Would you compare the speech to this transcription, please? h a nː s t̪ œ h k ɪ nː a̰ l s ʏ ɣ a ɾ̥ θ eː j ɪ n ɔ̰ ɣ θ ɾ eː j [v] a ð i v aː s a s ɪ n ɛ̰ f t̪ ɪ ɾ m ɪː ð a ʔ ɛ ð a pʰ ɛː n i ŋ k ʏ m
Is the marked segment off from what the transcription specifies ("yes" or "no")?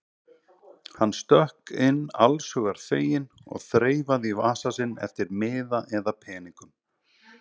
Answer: no